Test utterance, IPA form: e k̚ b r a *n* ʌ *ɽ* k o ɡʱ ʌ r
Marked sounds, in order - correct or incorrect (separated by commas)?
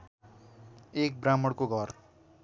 incorrect, correct